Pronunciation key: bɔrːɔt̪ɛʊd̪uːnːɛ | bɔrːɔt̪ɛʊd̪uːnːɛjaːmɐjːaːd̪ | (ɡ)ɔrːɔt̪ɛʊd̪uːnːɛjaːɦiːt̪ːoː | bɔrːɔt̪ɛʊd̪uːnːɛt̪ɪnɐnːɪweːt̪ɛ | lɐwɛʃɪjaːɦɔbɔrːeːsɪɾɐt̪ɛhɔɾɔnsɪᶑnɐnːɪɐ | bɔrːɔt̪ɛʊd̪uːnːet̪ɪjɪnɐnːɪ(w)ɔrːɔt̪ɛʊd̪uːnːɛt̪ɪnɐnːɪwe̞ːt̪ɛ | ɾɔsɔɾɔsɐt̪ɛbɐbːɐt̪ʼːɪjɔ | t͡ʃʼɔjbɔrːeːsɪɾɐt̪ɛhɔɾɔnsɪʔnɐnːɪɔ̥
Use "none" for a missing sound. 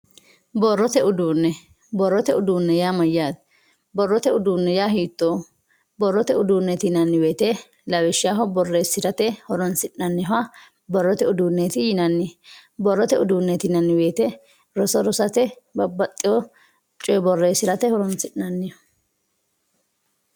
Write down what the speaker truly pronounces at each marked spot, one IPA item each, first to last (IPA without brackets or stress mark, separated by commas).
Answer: b, b